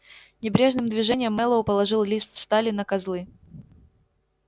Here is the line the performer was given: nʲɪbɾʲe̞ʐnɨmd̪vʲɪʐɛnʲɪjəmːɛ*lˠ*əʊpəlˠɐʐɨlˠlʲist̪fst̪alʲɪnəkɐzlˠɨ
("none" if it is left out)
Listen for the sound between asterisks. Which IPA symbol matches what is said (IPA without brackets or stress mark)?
lˠ